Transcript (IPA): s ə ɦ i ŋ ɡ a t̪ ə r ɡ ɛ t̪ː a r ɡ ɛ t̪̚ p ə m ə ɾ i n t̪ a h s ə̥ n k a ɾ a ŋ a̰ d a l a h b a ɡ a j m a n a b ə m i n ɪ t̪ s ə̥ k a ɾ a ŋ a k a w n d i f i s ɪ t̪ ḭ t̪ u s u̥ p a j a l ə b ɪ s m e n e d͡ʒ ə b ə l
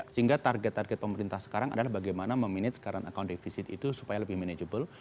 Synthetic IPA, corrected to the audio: s ə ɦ i ŋ ɡ a t̪ a r ɡ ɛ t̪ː a r ɡ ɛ t̪̚ p ə m ə ɾ i n t̪ a h s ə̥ k a ɾ a ŋ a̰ d a l a h b a ɡ a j m a n a m ə m i n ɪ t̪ s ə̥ k a ɾ a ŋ a k a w n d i f i s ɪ t̪ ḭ t̪ u s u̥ p a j a l ə b ɪ h m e n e d͡ʒ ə b ə l